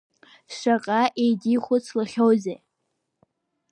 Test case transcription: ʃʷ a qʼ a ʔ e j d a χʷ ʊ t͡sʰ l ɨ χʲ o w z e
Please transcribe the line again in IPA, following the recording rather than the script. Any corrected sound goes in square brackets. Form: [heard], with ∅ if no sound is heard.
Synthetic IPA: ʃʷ a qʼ a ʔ e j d [i] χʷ ʊ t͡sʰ l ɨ χʲ o w z e